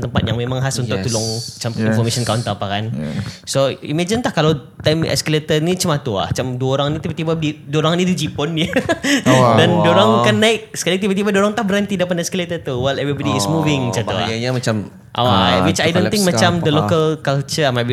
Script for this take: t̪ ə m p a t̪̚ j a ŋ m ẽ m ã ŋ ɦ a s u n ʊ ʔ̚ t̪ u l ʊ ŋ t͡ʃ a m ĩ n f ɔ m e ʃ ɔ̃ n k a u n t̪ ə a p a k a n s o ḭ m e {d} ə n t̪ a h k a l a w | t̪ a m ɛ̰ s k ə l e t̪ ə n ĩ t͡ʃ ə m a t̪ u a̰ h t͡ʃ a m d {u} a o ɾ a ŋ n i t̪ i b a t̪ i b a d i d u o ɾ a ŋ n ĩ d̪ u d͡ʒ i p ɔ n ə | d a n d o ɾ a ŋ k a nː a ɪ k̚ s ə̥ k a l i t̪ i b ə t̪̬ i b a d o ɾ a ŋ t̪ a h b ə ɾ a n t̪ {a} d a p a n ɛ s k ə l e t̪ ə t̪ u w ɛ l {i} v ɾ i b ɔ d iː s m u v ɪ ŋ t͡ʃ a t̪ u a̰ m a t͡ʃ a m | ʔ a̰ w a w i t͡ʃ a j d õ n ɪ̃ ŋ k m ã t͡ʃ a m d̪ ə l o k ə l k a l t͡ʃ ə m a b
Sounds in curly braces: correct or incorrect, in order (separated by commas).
incorrect, correct, incorrect, incorrect